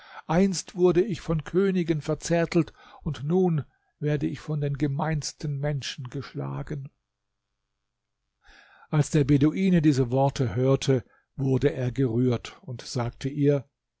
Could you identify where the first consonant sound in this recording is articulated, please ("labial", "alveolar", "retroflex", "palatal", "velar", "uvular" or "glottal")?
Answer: glottal